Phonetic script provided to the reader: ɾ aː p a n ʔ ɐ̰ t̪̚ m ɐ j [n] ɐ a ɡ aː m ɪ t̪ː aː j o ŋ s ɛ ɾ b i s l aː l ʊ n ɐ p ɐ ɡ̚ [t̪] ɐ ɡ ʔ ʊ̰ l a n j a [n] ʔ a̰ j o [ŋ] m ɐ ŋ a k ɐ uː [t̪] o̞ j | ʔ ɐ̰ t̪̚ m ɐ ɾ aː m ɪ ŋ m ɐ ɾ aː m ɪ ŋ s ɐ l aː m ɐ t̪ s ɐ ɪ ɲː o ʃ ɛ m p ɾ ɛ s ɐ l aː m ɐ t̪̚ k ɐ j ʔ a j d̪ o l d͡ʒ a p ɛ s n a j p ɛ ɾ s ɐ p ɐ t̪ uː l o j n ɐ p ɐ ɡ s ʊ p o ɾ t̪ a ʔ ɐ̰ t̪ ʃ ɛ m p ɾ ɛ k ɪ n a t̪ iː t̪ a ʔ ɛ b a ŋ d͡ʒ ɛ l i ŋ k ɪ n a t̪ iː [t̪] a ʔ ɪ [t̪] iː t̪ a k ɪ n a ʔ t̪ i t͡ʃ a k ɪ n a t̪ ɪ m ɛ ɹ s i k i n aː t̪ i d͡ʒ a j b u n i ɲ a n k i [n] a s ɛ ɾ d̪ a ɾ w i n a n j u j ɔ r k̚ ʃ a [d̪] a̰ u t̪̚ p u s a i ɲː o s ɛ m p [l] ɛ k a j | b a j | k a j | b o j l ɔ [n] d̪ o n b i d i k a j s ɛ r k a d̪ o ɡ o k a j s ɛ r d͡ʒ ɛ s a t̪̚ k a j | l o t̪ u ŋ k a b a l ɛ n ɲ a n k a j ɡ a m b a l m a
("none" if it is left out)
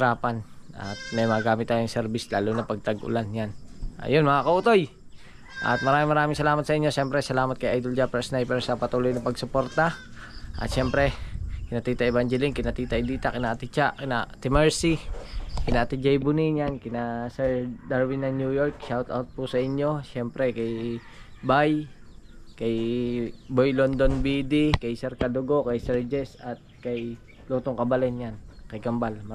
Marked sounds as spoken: m, t̪, n, n, t̪, t̪, d̪, n, t̪, ɾ, n

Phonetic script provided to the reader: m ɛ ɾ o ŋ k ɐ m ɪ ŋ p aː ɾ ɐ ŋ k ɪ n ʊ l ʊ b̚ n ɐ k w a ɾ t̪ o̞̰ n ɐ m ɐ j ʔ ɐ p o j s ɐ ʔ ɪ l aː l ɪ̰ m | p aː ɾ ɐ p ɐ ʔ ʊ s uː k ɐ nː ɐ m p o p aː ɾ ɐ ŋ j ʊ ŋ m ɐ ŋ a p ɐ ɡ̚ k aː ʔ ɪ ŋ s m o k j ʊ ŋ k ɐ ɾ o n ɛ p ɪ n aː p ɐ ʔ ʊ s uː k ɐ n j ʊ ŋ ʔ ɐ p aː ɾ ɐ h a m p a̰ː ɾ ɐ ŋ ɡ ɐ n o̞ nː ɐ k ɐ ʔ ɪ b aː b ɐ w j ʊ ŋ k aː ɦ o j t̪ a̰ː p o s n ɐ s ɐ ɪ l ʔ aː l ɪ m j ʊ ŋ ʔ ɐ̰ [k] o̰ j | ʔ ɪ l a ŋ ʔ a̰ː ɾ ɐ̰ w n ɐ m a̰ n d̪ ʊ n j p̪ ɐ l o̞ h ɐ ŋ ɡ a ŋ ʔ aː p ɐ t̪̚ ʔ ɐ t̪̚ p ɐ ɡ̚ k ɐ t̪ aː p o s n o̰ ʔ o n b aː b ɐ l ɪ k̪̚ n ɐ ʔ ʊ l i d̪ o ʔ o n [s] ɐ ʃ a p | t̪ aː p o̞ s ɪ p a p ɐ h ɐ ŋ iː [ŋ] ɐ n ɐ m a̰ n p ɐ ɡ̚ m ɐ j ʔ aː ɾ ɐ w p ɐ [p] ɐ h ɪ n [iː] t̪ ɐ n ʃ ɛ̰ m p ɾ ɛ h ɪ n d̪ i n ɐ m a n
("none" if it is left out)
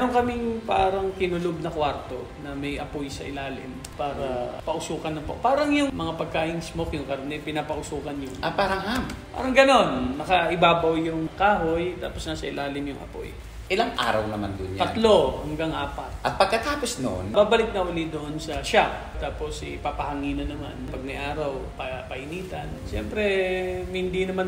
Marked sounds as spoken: p, s, n, p, iː

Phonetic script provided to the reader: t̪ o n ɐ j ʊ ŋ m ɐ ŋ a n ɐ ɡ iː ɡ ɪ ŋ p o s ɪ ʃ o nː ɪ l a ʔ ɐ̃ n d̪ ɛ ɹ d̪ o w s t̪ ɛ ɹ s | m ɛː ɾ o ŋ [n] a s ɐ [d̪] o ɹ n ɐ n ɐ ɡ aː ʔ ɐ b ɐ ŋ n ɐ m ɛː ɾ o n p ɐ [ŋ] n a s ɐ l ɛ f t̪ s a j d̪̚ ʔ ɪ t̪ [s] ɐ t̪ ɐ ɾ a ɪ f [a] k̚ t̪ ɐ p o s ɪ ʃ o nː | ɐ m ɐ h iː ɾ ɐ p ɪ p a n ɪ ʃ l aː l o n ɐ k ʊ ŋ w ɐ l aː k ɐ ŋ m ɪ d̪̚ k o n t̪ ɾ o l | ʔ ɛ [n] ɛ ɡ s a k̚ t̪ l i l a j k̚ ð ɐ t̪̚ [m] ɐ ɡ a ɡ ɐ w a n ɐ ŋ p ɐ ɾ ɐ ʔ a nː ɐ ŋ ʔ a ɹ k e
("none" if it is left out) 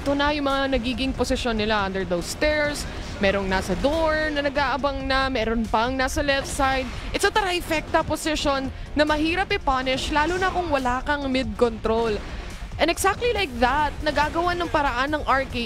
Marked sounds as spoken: n, d̪, ŋ, s, ɛ, n, n

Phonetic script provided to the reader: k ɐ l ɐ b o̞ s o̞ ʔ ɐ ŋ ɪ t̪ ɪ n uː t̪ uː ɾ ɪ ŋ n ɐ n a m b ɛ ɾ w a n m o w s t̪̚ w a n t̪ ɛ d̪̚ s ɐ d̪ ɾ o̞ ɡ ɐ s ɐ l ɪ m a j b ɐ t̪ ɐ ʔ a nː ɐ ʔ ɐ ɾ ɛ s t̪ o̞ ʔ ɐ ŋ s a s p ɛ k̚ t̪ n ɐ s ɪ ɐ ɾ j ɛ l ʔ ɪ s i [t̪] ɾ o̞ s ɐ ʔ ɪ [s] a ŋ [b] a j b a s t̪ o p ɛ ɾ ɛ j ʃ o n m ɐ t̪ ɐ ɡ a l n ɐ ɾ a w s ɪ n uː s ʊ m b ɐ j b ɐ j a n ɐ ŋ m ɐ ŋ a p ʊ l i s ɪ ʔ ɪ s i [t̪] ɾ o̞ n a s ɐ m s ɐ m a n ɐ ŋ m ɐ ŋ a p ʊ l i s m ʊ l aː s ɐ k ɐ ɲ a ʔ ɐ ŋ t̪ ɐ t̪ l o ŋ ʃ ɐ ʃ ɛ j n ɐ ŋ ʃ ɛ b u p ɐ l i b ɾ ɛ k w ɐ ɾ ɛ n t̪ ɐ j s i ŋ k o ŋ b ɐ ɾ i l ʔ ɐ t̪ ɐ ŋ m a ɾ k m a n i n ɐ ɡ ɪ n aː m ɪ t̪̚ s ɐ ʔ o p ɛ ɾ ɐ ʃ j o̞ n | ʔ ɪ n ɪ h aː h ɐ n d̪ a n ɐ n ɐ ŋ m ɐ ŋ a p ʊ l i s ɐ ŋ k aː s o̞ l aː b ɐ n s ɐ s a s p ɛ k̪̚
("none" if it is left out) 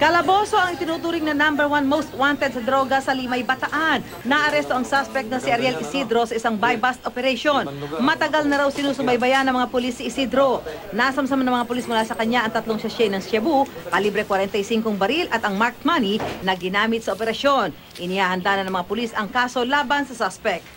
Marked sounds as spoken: d̪, s, b, d̪

